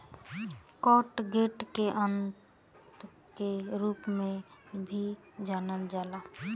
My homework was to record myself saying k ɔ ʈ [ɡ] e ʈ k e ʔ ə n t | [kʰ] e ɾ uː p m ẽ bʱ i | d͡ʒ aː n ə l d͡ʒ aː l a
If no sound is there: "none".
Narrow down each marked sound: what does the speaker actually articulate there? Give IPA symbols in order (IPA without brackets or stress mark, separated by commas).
ɡ, k